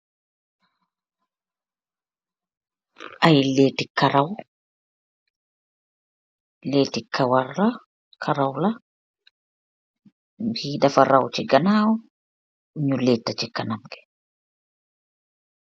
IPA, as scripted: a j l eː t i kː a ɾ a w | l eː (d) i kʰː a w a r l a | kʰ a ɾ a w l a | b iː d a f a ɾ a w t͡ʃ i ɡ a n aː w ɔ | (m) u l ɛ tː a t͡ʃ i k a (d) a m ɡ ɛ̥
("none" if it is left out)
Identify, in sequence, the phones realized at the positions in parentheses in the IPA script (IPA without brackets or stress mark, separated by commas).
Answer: t, ɲ, n